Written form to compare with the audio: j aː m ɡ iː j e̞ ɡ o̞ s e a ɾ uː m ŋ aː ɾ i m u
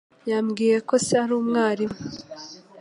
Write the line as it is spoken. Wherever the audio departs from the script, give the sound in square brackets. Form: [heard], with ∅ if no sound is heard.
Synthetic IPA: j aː m ɡ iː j e̞ [k] o̞ s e a ɾ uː m ŋ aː ɾ i m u